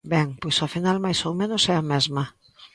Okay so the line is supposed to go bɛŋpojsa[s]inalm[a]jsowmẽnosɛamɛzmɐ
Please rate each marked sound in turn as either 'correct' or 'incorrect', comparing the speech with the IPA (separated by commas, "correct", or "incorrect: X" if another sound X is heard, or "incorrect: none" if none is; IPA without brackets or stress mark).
incorrect: f, correct